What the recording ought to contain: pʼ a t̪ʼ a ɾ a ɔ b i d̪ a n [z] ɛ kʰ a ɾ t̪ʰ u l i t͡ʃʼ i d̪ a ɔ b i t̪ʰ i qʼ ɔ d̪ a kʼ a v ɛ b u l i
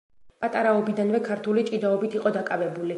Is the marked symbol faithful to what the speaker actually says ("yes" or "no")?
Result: no